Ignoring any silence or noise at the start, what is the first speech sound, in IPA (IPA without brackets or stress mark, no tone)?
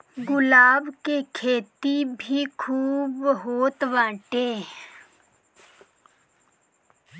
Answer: ɡ